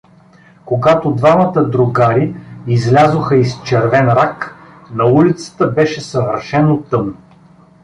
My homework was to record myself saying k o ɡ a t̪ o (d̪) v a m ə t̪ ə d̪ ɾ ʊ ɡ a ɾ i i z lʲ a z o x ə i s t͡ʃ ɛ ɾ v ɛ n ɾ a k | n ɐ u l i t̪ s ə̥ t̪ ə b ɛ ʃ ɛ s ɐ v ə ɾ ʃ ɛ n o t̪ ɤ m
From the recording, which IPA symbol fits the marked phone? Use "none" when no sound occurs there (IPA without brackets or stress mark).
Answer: d̪